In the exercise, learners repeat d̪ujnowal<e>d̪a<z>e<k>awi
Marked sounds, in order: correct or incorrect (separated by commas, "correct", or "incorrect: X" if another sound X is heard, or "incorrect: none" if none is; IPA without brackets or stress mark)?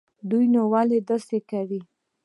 correct, incorrect: s, correct